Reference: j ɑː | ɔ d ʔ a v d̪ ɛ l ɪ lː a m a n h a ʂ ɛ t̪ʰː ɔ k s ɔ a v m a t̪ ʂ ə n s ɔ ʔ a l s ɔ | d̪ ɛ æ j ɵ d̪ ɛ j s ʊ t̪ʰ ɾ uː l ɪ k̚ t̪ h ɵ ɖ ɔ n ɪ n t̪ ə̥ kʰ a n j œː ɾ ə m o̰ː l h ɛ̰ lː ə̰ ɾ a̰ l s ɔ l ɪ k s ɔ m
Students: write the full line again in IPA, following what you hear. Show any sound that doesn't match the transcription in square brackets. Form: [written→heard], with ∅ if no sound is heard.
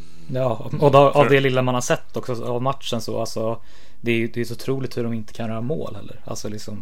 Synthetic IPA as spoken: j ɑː | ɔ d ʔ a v d̪ ɛ l ɪ lː a m a n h a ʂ ɛ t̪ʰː ɔ k s ɔ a v m a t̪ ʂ ə n s ɔ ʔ a l s ɔ | d̪ ɛ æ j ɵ d̪ ɛ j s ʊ t̪ʰ ɾ uː l ɪ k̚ t̪ h ɵ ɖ ɔ [n→m] ɪ n t̪ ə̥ kʰ a n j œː ɾ [ə→a] m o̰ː l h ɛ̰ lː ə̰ ɾ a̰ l s ɔ l ɪ k s ɔ m